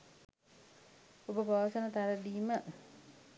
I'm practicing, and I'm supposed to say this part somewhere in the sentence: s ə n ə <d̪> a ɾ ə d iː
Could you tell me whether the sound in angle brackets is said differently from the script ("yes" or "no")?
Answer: yes